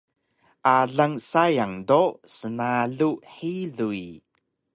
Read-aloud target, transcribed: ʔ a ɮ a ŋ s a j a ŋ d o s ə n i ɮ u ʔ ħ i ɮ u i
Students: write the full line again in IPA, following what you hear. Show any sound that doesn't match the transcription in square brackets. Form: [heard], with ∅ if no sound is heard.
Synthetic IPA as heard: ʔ a ɮ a ŋ s a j a ŋ d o s ə n [a] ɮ u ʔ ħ i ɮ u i